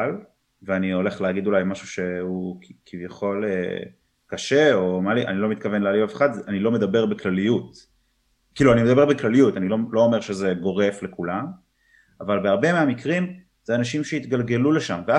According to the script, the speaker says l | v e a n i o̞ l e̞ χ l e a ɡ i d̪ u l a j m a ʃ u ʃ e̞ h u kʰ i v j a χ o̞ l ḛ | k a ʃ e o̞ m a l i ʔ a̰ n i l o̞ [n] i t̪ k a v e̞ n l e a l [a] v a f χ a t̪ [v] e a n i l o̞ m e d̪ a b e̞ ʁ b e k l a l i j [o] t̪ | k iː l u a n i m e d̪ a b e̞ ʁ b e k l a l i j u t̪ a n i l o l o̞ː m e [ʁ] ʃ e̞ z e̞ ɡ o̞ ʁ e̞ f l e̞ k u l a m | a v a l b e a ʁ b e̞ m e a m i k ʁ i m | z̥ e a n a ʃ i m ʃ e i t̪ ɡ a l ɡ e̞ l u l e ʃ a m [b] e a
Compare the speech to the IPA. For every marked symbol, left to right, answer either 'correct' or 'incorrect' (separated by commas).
incorrect, incorrect, incorrect, incorrect, correct, incorrect